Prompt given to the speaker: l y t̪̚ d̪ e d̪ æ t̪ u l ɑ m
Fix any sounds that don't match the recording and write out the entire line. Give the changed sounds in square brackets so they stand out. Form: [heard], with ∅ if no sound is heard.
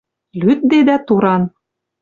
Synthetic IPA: l y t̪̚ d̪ e d̪ æ t̪ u [ɾ] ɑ [n]